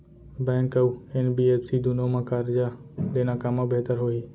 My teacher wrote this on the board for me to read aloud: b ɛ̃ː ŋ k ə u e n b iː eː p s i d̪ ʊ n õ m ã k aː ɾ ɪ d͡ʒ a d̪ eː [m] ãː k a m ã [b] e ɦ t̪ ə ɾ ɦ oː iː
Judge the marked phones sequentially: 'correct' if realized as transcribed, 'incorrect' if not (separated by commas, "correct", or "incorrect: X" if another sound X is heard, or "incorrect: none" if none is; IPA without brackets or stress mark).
incorrect: n, correct